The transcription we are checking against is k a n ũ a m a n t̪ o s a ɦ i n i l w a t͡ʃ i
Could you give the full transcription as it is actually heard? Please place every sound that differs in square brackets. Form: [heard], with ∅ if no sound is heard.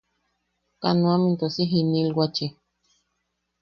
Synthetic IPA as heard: k a n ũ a m [i] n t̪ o s [i] ɦ i n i l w a t͡ʃ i